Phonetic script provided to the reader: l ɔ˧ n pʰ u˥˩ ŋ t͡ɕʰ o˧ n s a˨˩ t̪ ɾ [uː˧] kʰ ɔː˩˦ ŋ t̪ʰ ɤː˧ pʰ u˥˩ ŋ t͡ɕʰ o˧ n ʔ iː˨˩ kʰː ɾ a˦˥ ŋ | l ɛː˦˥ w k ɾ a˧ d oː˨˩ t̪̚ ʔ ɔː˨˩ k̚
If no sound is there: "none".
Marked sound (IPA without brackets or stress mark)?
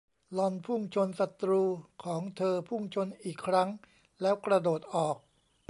uː˧